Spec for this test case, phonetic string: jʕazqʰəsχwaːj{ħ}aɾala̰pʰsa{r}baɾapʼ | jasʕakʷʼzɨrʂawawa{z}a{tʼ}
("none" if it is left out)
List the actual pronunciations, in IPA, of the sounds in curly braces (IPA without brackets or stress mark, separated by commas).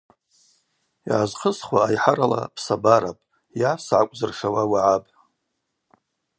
ħ, none, ʕ, pʼ